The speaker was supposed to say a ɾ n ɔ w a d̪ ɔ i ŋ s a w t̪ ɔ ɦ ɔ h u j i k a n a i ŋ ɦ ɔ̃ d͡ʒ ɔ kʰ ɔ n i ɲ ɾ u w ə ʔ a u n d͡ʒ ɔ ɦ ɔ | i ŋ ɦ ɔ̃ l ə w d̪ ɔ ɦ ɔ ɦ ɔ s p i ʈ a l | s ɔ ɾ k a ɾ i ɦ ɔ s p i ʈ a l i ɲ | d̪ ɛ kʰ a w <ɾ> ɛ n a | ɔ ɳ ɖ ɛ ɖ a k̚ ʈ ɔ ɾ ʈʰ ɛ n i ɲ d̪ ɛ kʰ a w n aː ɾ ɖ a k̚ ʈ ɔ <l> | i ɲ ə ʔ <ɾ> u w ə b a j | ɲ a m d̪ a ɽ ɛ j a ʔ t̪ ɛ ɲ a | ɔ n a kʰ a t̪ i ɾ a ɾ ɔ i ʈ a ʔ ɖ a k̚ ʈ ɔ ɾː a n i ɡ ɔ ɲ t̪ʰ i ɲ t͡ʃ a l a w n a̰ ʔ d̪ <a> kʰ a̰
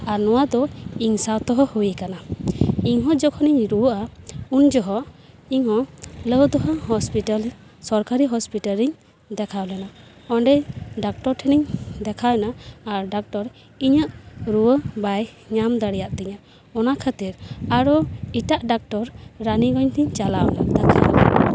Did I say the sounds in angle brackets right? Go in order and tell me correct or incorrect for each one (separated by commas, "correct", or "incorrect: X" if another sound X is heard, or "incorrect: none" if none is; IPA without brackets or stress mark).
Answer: incorrect: l, incorrect: ɾ, correct, correct